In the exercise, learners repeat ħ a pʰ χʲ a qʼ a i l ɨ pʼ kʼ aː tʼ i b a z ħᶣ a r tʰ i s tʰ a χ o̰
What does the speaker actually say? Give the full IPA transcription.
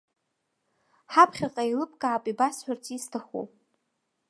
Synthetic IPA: ħ a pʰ χʲ a qʼ a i l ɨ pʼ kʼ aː pʼ i b a s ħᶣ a r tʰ i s tʰ a χ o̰